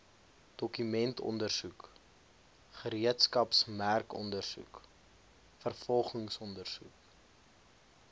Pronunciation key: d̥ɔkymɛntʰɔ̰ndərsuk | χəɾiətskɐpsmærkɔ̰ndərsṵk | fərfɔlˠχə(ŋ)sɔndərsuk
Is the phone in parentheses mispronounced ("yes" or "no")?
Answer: no